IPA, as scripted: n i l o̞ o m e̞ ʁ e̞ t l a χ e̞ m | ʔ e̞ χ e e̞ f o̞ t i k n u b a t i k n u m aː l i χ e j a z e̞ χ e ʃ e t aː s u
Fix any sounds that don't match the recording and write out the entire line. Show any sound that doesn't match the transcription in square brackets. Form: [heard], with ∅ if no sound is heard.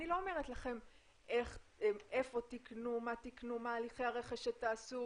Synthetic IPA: n i l o̞ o m e̞ ʁ e̞ t l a χ e̞ m | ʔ e̞ χ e e̞ f o̞ t i k n u [m] a t i k n u m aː l i χ e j a [ʁ] e̞ χ e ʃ e t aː s u